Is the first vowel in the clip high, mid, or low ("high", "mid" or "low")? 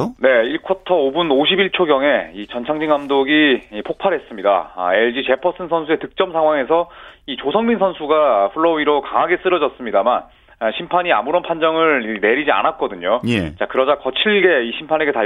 mid